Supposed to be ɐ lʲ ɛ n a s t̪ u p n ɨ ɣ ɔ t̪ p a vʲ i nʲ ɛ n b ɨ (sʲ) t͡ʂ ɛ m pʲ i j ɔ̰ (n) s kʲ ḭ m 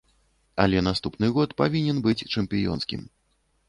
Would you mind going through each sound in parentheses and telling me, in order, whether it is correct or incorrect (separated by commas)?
incorrect, correct